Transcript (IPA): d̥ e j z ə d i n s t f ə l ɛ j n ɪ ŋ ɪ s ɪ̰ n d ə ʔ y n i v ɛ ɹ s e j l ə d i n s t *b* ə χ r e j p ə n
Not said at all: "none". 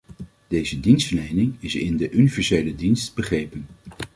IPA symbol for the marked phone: b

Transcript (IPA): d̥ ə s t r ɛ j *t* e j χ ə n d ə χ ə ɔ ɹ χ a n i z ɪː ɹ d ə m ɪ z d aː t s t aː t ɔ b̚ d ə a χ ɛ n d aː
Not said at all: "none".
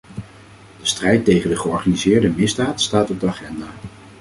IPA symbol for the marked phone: t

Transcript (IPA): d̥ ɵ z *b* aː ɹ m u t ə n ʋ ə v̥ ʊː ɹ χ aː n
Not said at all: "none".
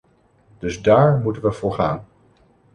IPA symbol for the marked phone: d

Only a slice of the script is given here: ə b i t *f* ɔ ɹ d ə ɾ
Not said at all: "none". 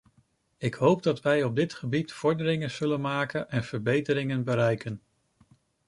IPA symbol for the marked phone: f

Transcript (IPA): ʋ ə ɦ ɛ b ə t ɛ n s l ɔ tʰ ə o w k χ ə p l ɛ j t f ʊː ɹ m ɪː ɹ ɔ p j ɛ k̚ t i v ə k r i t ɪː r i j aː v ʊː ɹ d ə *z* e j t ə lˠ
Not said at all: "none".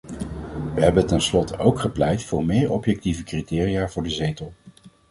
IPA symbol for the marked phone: z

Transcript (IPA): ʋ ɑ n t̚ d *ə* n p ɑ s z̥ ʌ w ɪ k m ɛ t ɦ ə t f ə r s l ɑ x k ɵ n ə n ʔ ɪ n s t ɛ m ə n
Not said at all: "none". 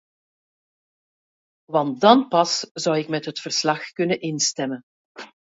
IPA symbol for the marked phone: ɑ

